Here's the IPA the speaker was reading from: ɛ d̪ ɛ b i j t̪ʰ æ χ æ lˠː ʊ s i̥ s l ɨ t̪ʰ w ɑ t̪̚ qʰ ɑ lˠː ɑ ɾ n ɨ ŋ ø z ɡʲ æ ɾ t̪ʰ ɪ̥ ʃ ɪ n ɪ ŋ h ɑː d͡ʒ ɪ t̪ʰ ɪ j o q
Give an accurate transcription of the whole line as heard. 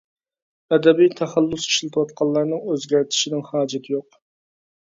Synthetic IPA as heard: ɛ d̪ ɛ b i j t̪ʰ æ χ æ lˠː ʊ s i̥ ʃ l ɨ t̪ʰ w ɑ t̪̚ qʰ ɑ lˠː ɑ ɾ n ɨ ŋ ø z ɡʲ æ ɾ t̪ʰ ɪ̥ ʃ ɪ n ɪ ŋ h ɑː d͡ʒ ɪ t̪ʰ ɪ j o q